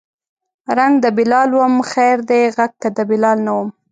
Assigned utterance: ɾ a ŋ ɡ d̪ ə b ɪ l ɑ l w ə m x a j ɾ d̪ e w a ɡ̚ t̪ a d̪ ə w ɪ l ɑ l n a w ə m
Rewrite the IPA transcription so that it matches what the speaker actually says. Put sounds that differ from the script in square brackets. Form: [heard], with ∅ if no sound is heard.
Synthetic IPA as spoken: ɾ a ŋ ɡ d̪ ə b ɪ l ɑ l w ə m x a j ɾ d̪ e [ɣ] a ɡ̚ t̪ a d̪ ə [b] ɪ l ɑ l n a w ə m